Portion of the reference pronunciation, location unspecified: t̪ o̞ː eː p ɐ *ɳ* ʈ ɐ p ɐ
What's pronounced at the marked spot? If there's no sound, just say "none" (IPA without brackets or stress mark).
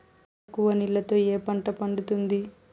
ɳ